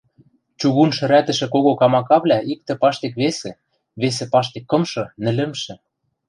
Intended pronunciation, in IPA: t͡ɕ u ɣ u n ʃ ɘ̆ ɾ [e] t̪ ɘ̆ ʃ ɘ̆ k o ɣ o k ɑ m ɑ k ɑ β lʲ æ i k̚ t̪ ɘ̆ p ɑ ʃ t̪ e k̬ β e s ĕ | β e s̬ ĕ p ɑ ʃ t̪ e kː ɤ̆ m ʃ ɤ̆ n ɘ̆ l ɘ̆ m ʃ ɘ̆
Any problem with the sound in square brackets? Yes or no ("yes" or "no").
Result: yes